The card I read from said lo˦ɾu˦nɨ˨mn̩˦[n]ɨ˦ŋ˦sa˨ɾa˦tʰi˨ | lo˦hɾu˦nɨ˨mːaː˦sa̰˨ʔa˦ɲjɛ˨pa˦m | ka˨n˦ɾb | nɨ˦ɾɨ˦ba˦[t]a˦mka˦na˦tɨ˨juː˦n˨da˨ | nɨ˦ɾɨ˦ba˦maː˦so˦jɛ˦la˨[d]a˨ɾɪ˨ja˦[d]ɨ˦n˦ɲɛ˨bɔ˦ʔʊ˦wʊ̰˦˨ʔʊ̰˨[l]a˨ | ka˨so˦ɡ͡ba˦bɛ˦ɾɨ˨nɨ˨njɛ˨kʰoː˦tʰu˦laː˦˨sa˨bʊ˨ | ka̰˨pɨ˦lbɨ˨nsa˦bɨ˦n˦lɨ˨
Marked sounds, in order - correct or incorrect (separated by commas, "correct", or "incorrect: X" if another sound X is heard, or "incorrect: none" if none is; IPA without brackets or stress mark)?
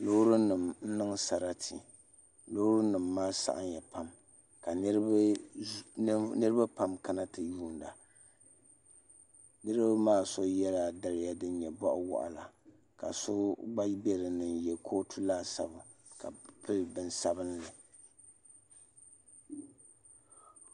correct, incorrect: p, correct, correct, correct